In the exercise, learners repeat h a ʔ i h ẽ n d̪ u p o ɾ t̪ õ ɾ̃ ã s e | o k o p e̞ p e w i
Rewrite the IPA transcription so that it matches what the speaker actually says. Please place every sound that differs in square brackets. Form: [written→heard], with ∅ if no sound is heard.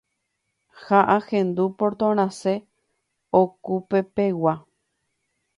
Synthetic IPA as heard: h a ʔ [i→a] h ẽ n d̪ u p o ɾ t̪ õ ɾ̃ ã s e | o k [o→u] p e̞ p e w [i→a]